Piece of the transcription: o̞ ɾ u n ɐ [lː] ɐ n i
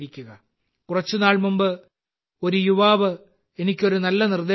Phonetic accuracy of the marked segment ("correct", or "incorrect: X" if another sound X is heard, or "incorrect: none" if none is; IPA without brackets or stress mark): correct